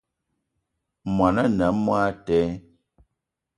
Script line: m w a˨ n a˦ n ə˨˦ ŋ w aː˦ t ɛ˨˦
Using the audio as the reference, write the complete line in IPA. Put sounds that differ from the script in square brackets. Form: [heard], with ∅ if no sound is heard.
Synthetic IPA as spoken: m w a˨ n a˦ n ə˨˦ [m] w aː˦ t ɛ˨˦